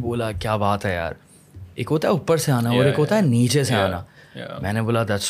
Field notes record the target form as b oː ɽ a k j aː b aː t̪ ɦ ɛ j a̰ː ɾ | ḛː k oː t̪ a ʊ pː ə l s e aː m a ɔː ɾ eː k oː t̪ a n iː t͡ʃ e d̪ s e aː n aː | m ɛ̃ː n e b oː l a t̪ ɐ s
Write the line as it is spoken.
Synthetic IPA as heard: b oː l a k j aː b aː t̪ ɦ ɛ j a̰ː ɾ | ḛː k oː t̪ a ʊ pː ə ɾ s e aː n a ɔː ɾ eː k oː t̪ a n iː t͡ʃ e s e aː n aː | m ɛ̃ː n e b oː l a d̪ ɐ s